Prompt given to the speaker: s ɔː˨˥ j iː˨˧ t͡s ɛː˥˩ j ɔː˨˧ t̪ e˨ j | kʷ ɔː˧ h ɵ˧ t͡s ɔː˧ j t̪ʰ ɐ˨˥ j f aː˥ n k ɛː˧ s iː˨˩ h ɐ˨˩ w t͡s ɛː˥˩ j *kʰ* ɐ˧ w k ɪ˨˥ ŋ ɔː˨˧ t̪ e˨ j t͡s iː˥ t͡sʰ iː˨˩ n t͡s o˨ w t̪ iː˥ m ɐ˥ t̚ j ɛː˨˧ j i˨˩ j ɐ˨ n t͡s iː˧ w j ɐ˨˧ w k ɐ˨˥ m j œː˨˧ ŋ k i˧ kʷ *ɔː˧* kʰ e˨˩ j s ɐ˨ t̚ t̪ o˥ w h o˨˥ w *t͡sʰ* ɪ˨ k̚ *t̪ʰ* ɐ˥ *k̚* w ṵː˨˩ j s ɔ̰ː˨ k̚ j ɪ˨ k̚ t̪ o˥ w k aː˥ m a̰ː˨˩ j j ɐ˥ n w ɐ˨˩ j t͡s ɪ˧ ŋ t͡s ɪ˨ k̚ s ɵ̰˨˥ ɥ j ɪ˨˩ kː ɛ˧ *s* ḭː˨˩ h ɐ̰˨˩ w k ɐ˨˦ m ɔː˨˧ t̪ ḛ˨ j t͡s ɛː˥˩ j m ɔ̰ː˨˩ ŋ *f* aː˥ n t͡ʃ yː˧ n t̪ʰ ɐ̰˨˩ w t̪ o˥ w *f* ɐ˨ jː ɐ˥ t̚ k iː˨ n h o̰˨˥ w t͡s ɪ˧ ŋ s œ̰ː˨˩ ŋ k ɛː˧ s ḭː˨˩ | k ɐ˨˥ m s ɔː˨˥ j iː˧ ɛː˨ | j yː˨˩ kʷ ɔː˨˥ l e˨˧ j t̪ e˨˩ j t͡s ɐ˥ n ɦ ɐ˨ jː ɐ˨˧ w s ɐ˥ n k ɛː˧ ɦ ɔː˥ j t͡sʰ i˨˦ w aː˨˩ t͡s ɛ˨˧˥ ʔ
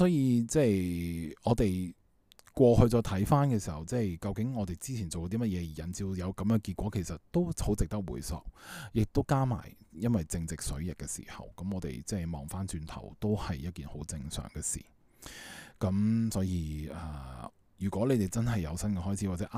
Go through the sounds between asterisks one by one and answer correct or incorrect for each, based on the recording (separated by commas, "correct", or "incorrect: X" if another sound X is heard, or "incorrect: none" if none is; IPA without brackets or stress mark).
incorrect: k, incorrect: ɔː˨˥, incorrect: t͡s, incorrect: t̪, correct, correct, correct, incorrect: h